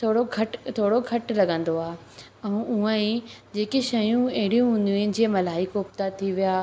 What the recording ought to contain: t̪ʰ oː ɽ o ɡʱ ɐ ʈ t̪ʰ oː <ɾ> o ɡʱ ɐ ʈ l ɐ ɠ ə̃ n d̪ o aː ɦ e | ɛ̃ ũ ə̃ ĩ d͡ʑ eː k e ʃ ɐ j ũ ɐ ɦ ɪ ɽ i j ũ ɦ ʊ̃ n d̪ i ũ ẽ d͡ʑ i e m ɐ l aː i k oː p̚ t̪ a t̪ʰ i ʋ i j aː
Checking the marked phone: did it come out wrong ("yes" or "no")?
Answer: yes